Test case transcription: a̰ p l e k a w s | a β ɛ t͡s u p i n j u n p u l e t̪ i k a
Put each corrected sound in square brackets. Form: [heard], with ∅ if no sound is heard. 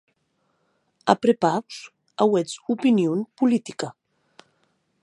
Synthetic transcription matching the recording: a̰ p [ɾ] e [p] a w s | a [w] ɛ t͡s u p i n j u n p u l [i] t̪ i k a